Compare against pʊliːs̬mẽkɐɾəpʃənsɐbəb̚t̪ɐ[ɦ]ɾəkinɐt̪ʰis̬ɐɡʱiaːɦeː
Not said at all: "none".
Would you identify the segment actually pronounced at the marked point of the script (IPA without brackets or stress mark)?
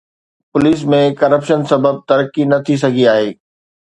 none